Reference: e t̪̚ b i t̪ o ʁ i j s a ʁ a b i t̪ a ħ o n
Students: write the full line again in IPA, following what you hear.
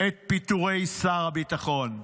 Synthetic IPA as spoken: e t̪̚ p i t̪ u ʁ e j s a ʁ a b i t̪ a χ o n